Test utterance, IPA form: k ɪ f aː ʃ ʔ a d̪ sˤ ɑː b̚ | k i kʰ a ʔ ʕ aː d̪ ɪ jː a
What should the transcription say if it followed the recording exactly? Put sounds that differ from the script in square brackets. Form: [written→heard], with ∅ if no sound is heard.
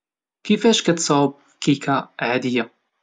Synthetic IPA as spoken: k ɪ f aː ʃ [ʔ→k] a [d̪→t̪] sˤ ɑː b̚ | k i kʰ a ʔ ʕ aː d̪ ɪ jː a